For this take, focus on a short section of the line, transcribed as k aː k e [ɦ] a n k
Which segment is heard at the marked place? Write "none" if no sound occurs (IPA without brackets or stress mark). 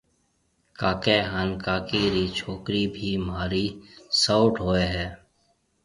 ɦ